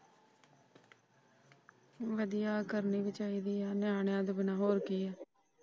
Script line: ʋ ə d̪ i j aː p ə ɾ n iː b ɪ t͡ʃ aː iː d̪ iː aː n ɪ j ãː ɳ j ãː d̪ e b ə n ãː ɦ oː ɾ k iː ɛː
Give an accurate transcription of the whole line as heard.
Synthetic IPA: ʋ ə d̪ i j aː k ə ɾ n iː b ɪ t͡ʃ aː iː d̪ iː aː n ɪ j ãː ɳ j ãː d̪ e b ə n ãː ɦ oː ɾ k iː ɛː